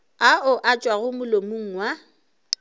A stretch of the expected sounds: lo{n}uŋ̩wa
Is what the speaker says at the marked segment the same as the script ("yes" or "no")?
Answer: no